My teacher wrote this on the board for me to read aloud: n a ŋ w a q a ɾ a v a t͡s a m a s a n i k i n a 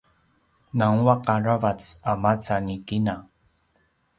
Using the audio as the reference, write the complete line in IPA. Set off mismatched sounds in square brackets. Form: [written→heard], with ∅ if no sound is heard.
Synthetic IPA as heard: n a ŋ w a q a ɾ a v a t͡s a m a [s→t͡s] a n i k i n a